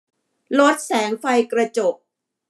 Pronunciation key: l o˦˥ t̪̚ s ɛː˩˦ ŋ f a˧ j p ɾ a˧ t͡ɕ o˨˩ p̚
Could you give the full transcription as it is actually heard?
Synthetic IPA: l o˦˥ t̪̚ s ɛː˩˦ ŋ f a˧ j k ɾ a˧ t͡ɕ o˨˩ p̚

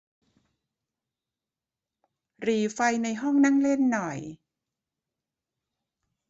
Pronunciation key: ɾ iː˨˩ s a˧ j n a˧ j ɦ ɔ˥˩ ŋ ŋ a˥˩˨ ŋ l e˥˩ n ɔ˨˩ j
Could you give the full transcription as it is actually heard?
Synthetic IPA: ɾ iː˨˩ f a˧ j n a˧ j ɦ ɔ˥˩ ŋ n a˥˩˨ ŋ l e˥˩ nː ɔ˨˩ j

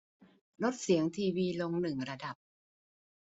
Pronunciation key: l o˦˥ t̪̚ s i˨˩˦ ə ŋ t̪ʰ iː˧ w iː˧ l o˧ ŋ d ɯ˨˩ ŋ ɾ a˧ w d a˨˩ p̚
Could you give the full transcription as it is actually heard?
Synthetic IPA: l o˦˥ t̪̚ s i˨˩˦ ə ŋ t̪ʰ iː˧ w iː˧ l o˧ ŋ n ɯ˨˩ ŋ ɾ a˧ d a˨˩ p̚

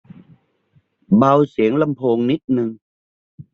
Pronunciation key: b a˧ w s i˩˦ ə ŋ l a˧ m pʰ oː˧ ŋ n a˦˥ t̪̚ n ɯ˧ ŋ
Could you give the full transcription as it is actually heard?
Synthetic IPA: b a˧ w s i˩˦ ə ŋ l a˧ m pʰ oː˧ ŋ n i˦˥ t̪̚ n ɯ˧ ŋ

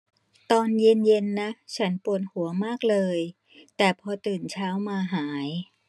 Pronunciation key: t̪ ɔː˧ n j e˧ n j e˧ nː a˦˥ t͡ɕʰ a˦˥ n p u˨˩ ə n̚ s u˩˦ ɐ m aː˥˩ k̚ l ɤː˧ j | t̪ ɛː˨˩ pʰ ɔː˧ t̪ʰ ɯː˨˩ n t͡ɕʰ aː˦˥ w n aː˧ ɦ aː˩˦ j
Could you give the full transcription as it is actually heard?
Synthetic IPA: t̪ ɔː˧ n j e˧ n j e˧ nː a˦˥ t͡ɕʰ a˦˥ n p u˨˩ ə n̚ h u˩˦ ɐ m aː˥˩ k̚ l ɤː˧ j | t̪ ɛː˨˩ pʰ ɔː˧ t̪ ɯː˨˩ n t͡ɕʰ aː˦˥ w m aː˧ ɦ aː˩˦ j

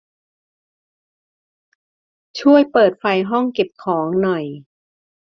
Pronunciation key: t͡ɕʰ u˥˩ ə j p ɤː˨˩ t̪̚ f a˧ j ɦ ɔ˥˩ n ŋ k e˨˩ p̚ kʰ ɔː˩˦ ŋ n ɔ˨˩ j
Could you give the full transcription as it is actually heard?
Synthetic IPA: t͡ɕʰ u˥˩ ə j p ɤː˨˩ t̪̚ f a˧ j ɦ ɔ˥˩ ŋ k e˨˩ p̚ kʰ ɔː˩˦ ŋ n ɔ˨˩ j

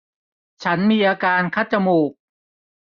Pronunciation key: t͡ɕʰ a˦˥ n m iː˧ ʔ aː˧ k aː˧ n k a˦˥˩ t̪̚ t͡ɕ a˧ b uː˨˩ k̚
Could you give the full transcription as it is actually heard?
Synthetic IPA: t͡ɕʰ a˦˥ n m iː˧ ʔ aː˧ k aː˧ n kʰ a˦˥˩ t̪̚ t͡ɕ a˧ m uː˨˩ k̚

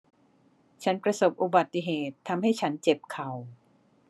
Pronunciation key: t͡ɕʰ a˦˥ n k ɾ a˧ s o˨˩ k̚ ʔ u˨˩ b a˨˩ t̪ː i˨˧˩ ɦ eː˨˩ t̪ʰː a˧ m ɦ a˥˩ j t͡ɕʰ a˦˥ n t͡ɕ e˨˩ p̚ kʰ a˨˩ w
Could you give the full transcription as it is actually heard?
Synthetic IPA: t͡ɕʰ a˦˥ n p ɾ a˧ s o˨˩ p̚ ʔ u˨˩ b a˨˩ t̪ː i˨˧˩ ɦ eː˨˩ t̪ʰː a˧ m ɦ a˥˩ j t͡ɕʰ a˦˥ n t͡ɕ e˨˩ p̚ kʰ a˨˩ w

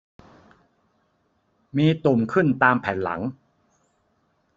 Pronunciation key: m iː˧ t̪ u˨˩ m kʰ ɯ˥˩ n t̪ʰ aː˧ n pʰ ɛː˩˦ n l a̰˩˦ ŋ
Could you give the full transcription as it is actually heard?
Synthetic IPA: m iː˧ t̪ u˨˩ m kʰ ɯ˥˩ n t̪ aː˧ m pʰ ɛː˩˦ n l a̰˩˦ ŋ

